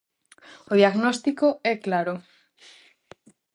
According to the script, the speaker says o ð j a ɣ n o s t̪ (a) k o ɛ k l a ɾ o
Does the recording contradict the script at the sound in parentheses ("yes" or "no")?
yes